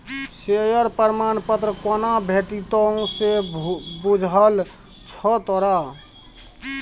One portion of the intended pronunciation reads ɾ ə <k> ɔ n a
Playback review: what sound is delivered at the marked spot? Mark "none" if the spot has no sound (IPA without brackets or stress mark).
k